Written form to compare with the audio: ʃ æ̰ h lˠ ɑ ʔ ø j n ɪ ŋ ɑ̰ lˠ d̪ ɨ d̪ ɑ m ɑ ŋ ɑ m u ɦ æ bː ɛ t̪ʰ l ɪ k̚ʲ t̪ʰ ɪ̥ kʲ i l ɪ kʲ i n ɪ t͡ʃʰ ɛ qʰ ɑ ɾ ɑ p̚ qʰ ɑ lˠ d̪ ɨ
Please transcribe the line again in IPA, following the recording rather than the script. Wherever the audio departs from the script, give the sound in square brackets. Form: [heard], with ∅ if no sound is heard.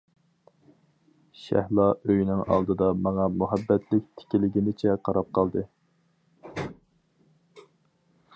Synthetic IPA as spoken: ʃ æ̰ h lˠ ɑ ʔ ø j n ɪ ŋ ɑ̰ lˠ d̪ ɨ d̪ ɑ m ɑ ŋ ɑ m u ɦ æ bː ɛ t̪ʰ l ɪ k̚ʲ t̪ʰ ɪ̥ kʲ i l ɪ [ɡʲ] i n ɪ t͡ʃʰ ɛ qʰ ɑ ɾ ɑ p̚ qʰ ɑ lˠ d̪ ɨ

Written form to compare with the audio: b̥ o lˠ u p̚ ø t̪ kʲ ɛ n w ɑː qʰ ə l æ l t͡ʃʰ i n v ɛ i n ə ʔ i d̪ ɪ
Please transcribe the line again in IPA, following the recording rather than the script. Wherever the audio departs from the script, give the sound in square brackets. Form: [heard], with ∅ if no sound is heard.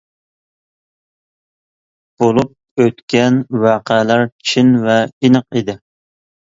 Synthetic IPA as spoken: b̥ o lˠ u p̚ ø t̪ kʲ ɛ n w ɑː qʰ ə l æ [ɾ] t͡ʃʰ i n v ɛ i n ə [q] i d̪ ɪ

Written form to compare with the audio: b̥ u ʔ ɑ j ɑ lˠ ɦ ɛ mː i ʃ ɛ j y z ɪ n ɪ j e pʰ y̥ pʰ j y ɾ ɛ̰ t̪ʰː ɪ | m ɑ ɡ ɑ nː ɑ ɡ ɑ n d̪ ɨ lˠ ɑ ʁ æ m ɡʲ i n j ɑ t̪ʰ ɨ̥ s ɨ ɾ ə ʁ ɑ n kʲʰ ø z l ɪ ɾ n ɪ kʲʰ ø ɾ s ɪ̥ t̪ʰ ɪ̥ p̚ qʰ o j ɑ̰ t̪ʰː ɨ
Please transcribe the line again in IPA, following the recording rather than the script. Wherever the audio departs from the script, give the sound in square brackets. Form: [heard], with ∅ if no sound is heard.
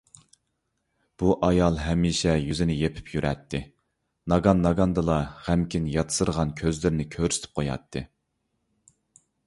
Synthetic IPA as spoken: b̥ u ʔ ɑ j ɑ lˠ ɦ ɛ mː i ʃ ɛ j y z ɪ n ɪ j e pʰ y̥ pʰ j y ɾ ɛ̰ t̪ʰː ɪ | [n] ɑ ɡ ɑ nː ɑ ɡ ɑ n d̪ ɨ lˠ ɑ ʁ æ m [kʲ] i n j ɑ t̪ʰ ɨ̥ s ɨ ɾ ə ʁ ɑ n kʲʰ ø z l ɪ ɾ n ɪ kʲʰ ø ɾ s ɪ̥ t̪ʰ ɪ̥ p̚ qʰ o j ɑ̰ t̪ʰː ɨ

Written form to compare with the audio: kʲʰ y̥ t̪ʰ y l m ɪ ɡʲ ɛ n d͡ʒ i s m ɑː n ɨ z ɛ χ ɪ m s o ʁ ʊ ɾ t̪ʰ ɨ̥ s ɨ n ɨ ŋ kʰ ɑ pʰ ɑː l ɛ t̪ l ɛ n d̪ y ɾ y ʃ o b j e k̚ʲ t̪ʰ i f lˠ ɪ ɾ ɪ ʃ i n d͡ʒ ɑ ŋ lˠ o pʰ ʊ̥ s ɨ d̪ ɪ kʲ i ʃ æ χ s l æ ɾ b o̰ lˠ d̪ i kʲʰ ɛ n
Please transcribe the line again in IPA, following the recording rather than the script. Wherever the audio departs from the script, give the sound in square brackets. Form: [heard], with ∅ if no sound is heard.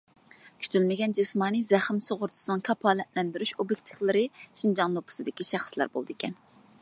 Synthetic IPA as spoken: kʲʰ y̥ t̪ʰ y l m ɪ ɡʲ ɛ n d͡ʒ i s m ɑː n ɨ z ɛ χ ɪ m s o ʁ ʊ ɾ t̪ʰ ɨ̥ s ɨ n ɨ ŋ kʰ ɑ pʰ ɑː l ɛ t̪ l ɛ n d̪ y ɾ y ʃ o b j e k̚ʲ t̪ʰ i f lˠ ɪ ɾ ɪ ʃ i n d͡ʒ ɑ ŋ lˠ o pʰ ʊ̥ s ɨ d̪ ɪ kʲ i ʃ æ χ s l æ ɾ b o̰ lˠ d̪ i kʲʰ ɛ n

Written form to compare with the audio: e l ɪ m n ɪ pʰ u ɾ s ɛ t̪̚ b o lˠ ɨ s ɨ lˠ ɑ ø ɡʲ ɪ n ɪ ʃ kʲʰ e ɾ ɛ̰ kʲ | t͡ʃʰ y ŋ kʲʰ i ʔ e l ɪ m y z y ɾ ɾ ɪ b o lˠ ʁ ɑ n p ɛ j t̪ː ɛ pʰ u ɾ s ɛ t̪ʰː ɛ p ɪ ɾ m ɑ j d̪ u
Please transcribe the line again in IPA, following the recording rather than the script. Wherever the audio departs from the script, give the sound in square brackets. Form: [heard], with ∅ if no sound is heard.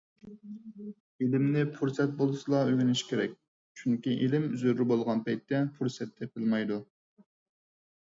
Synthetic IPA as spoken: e l ɪ m n ɪ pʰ u ɾ s ɛ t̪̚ b o lˠ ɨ s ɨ lˠ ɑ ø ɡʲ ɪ n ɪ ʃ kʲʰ e ɾ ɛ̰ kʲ | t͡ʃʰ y ŋ [kʲ] i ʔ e l ɪ m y z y ɾ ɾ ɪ b o lˠ ʁ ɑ n p ɛ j t̪ː ɛ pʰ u ɾ s ɛ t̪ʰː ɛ p ɪ [l] m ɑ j d̪ u

